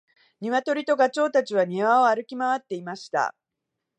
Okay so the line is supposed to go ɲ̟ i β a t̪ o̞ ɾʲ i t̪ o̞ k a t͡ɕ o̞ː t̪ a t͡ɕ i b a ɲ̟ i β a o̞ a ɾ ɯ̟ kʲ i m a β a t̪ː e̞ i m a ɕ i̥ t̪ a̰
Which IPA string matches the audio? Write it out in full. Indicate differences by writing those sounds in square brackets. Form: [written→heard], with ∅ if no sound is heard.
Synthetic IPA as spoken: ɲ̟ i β a t̪ o̞ ɾʲ i t̪ o̞ [k→ɡ] a t͡ɕ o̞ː t̪ a t͡ɕ i [b→β] a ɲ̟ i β a o̞ a ɾ ɯ̟ kʲ i m a β a t̪ː e̞ i m a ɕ i̥ t̪ a̰